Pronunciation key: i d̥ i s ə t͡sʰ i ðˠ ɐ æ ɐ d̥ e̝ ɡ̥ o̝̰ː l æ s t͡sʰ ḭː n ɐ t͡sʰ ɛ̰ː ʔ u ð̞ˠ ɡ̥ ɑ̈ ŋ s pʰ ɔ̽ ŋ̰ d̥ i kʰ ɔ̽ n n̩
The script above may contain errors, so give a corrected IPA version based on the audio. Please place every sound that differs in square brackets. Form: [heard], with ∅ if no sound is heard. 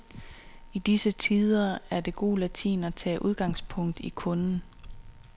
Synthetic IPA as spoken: i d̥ i s ə t͡sʰ i ðˠ ɐ æ ɐ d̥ e̝ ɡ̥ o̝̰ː l æ [∅] t͡sʰ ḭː n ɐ t͡sʰ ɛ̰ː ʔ u ð̞ˠ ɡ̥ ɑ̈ ŋ s pʰ ɔ̽ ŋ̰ d̥ i kʰ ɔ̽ n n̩